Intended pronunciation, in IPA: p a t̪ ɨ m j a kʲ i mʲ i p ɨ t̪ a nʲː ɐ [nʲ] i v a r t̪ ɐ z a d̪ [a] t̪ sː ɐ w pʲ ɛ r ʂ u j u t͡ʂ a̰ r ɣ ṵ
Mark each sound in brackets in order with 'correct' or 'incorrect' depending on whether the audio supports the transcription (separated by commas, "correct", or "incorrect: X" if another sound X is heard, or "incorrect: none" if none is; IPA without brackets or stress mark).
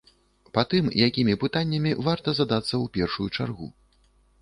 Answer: incorrect: mʲ, correct